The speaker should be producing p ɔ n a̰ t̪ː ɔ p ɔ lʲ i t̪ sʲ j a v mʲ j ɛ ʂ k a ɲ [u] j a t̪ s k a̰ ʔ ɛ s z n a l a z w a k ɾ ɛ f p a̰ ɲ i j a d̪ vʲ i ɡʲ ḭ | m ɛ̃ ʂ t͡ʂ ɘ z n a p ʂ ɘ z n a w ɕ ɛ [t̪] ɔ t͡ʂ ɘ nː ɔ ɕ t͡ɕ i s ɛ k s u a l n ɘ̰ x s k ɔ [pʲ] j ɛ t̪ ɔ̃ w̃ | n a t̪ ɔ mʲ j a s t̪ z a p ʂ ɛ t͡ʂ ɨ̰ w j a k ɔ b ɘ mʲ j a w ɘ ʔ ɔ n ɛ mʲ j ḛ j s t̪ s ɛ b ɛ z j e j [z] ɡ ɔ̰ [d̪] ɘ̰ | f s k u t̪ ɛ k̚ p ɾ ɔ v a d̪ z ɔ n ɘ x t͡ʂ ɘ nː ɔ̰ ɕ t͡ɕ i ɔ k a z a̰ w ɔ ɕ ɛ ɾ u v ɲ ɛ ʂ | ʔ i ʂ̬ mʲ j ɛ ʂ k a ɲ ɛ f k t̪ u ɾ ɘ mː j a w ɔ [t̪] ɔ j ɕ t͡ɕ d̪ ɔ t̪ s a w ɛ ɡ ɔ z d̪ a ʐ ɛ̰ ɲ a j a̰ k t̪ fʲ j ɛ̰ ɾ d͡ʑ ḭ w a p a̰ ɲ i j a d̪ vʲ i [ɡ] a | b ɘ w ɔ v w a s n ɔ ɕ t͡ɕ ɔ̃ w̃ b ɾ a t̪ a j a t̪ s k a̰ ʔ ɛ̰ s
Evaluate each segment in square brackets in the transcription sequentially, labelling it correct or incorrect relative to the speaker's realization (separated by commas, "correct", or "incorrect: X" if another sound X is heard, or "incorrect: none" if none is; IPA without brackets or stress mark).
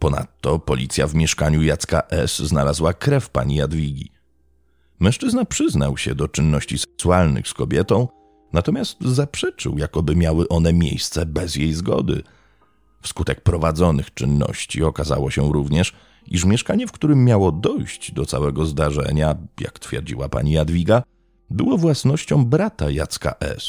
correct, incorrect: d̪, incorrect: bʲ, correct, correct, incorrect: d̪, correct